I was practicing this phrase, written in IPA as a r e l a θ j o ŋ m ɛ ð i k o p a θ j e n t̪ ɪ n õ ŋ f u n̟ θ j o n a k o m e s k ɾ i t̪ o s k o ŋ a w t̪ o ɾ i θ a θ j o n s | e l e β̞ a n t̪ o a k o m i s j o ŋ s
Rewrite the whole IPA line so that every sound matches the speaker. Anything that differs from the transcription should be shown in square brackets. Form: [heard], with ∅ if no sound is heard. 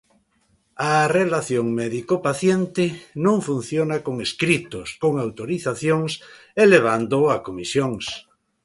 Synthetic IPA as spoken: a r e l a θ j o ŋ m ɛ ð i k o p a θ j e n t̪ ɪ n õ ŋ f u n̟ θ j o n a k o [ŋ] e s k ɾ i t̪ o s k o ŋ a w t̪ o ɾ i θ a θ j o [ŋ] s | e l e β̞ a n [d̪] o a k o m i s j o ŋ s